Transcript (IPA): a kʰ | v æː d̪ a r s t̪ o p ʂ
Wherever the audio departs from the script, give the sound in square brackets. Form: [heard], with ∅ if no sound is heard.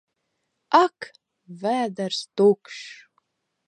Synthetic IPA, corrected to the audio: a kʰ | v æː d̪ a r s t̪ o [k] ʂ